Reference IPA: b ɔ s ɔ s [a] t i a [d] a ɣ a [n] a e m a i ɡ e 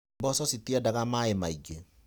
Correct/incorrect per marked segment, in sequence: incorrect: i, correct, incorrect: m

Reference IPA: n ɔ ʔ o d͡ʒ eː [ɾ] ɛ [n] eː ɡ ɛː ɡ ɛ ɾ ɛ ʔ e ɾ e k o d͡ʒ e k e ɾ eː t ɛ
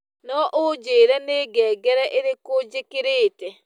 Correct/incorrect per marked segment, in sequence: correct, correct

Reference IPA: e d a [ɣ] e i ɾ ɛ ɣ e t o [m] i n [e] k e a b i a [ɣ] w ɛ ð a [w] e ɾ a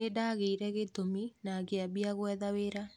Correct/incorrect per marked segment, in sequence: correct, correct, incorrect: a, correct, correct

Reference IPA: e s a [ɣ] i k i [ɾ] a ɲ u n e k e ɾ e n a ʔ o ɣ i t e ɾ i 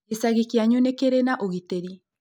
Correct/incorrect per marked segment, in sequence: correct, incorrect: none

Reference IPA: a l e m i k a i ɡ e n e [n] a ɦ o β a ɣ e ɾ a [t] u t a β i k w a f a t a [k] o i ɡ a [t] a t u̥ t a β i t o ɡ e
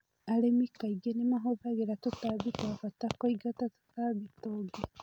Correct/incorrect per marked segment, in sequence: incorrect: m, correct, correct, correct

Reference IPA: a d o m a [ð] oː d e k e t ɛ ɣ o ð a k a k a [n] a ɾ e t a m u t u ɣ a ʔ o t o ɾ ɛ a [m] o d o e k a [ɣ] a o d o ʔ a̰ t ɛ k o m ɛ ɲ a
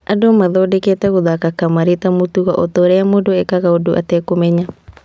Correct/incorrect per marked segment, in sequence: correct, incorrect: m, correct, correct

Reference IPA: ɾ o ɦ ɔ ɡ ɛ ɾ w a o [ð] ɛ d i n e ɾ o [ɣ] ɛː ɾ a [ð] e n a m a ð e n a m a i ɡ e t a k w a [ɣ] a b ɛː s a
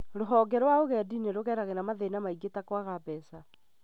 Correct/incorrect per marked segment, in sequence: incorrect: ɣ, correct, incorrect: ɣ, correct

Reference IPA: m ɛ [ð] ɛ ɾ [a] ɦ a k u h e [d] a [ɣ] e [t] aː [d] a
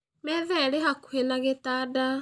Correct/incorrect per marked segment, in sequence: correct, incorrect: e, incorrect: n, correct, correct, correct

